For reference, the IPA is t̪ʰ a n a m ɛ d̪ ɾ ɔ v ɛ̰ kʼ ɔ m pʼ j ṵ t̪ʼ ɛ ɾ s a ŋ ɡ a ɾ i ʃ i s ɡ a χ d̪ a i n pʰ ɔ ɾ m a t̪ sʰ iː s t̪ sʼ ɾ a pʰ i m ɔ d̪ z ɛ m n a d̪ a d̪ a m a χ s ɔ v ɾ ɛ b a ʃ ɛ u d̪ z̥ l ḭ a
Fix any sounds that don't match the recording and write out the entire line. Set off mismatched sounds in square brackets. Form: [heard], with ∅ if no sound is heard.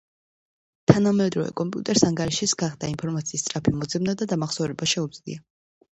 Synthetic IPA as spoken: t̪ʰ a n a m ɛ d̪ ɾ ɔ v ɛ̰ kʼ ɔ m pʼ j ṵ t̪ʼ ɛ ɾ s a ŋ ɡ a ɾ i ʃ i s ɡ a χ d̪ a i n pʰ ɔ ɾ m a t̪ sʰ iː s t̪ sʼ ɾ a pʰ i m ɔ d̪ z ɛ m n a d̪ a d̪ a m a χ s ɔ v ɾ ɛ b a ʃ ɛ u d̪ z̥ l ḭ a